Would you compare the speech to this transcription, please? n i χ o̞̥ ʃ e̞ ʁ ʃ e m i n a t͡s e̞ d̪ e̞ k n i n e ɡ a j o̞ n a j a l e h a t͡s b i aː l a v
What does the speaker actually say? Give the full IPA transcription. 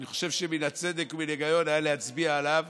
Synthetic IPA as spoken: n i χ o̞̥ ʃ e̞ v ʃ e m i n a t͡s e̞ d̪ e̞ k m i n e ɡ a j o̞ n a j a l e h a t͡s b i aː l a v